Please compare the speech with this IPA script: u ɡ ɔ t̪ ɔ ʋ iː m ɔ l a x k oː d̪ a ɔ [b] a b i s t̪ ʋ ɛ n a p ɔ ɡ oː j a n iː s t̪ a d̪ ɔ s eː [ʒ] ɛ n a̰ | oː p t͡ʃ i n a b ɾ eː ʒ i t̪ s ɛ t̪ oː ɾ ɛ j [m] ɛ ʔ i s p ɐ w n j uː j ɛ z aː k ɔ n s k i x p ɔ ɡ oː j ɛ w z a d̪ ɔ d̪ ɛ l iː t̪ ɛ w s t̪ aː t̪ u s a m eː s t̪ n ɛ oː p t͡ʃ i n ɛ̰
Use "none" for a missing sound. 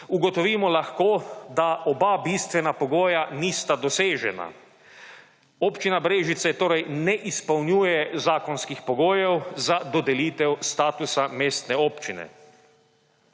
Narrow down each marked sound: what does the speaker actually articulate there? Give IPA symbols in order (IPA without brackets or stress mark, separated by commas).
b, ʒ, n